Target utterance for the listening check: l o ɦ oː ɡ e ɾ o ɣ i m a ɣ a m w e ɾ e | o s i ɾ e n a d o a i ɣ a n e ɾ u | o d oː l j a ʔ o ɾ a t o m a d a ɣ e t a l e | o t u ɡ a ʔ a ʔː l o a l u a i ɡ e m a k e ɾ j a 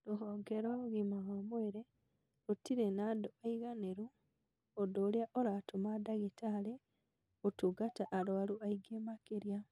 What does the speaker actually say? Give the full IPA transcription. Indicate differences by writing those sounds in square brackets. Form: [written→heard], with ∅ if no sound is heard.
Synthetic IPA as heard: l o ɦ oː ɡ e ɾ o ɣ i m a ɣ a m w e ɾ e | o [s→t] i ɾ e n a d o a i ɣ a n e ɾ u | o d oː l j a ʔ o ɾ a t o m a d a ɣ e t a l e | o t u ɡ a [ʔ→t] a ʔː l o a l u a i ɡ e m a k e ɾ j a

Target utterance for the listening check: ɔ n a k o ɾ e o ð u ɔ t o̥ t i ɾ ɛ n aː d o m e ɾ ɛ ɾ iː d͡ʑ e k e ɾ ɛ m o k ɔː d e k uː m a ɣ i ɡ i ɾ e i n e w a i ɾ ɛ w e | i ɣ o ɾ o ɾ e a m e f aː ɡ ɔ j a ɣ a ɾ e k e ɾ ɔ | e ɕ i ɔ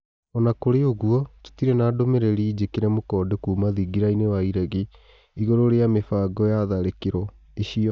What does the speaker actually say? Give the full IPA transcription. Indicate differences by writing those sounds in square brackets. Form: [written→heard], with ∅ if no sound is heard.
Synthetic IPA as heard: ɔ n a k o ɾ e o [ð→ɣ] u ɔ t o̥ t i ɾ ɛ n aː d o m e ɾ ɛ ɾ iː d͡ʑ e k e ɾ ɛ m o k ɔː d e k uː m a [ɣ→ð] i ɡ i ɾ [e→a] i n e w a i ɾ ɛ [w→ɣ] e | i ɣ o ɾ o ɾ e a m e f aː ɡ ɔ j a [ɣ→ð] a ɾ e k e ɾ ɔ | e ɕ i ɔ

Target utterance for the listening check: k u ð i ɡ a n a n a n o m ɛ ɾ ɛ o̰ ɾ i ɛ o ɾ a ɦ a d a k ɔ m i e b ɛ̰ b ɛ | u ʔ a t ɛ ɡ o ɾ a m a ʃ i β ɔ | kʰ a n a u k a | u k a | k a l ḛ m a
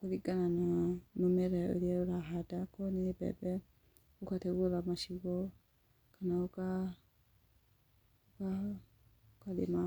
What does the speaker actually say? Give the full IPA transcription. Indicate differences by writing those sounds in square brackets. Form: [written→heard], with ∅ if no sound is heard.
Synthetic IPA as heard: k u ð i ɡ a n a n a n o m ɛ ɾ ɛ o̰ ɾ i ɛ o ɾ a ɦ a d a k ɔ [m→n] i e b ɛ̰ b ɛ | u [ʔ→k] a t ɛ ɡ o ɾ a m a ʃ i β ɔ | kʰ a n a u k a | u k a | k a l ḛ m a

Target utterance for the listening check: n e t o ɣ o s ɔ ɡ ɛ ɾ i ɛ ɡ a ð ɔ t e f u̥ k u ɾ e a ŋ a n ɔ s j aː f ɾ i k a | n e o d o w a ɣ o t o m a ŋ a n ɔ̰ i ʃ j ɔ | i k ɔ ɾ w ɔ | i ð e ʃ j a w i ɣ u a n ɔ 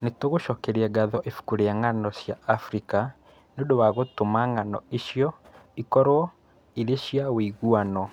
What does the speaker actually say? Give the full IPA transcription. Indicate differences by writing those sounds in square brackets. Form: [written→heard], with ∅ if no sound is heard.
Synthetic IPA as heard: n e t o ɣ o [s→ʃ] ɔ [ɡ→k] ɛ ɾ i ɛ ɡ a ð ɔ [t→ʔ] e f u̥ k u ɾ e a ŋ a n ɔ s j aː f ɾ i k a | n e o d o w a ɣ o t o m a ŋ a n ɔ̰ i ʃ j ɔ | i k ɔ ɾ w ɔ | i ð e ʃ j a w i ɣ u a n ɔ

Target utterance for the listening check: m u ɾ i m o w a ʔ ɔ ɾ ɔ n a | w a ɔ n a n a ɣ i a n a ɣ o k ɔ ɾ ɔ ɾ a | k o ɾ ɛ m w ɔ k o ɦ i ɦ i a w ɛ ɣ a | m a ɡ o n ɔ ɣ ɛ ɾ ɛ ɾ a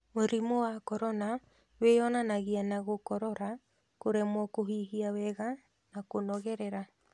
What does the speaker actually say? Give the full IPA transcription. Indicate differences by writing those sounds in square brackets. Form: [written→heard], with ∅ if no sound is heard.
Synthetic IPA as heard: m [u→o] ɾ i m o w a [ʔ→k] ɔ ɾ ɔ n a | w [a→e] ɔ n a n a ɣ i a n a ɣ o k ɔ ɾ ɔ ɾ a | k o ɾ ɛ m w ɔ k o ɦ i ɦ i a w ɛ ɣ a | [m→n] a [ɡ→k] o n ɔ ɣ ɛ ɾ ɛ ɾ a

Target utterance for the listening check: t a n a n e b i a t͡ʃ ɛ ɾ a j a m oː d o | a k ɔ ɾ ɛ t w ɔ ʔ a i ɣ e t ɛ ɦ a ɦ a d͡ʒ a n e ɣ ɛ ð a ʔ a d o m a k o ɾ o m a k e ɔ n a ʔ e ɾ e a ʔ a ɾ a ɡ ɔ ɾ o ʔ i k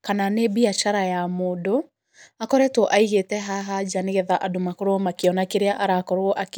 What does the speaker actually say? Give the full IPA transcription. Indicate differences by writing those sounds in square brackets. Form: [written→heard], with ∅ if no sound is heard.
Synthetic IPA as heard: [t→k] a n a n e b i a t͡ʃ [ɛ→a] ɾ a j a m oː d o | a k ɔ ɾ ɛ t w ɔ ʔ a i ɣ e t ɛ ɦ a ɦ a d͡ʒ a n e ɣ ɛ ð a ʔ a d o m a k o ɾ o m a k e ɔ n a [ʔ→k] e ɾ e a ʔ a ɾ a [ɡ→k] ɔ ɾ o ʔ [i→a] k

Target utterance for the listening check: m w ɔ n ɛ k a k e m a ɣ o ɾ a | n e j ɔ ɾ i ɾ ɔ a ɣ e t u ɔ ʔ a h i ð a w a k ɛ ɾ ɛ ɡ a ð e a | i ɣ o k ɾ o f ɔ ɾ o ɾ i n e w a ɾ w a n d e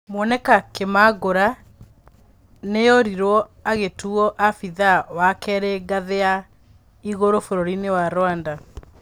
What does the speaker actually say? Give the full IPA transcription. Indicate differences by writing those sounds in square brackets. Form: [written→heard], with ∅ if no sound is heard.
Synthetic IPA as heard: m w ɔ n ɛ k a k e m a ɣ o ɾ a | n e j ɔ ɾ i ɾ ɔ a ɣ e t u ɔ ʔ a [h→f] i ð a w a k ɛ ɾ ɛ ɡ a ð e a | i ɣ o [k→∅] ɾ o f [ɔ→o] ɾ o ɾ i n e w a ɾ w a n d [e→a]

